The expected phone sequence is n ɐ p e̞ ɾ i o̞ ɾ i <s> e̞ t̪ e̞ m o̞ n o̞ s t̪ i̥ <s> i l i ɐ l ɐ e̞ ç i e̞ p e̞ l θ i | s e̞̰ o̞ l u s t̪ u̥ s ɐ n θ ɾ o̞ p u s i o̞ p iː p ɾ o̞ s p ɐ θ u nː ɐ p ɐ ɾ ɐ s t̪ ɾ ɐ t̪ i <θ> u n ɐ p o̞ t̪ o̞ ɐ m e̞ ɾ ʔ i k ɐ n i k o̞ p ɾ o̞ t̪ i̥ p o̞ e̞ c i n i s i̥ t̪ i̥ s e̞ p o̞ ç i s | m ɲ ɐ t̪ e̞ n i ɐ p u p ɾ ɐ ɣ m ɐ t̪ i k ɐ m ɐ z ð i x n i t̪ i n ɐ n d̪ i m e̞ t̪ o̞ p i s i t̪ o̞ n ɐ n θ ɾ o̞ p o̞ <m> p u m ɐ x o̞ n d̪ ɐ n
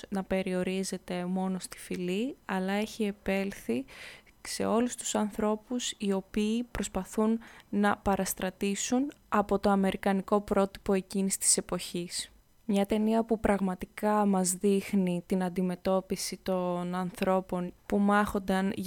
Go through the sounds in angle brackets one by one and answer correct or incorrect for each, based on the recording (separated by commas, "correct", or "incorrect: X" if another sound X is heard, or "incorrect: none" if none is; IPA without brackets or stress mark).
incorrect: z, incorrect: f, incorrect: s, incorrect: n